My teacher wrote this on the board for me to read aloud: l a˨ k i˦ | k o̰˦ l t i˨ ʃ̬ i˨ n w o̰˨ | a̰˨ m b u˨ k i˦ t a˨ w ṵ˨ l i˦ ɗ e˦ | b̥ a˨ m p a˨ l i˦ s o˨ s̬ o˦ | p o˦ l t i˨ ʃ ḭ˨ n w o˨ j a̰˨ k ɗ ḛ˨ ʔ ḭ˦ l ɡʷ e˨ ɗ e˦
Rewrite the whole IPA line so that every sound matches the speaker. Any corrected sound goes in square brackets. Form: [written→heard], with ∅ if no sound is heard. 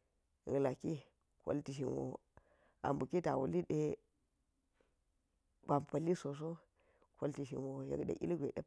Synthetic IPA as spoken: l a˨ k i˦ | k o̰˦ l t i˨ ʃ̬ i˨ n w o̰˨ | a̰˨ m b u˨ k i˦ t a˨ w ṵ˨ l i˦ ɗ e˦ | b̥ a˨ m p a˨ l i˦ s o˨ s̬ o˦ | [p→k] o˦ l t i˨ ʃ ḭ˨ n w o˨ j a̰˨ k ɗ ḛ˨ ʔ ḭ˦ l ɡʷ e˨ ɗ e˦